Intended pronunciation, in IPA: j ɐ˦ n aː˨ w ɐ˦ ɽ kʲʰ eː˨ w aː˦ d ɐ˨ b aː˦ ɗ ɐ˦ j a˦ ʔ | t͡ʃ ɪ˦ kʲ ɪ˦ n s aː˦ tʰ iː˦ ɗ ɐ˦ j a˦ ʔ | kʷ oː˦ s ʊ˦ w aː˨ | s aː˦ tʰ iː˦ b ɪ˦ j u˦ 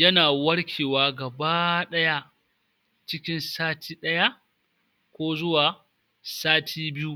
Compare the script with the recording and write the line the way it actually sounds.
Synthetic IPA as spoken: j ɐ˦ n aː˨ w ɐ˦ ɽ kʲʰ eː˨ w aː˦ ɡ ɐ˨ b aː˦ ɗ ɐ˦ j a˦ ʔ | t͡ʃ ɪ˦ kʲ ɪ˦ n s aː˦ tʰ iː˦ ɗ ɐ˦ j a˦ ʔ | kʷ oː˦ z ʊ˦ w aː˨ | s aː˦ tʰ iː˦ b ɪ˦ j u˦